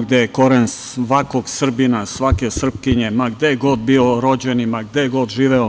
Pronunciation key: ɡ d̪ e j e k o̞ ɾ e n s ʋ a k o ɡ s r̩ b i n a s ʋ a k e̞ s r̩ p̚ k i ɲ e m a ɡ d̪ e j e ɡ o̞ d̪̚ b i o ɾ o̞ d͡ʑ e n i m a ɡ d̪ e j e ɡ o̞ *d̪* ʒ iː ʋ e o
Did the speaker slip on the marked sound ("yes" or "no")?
no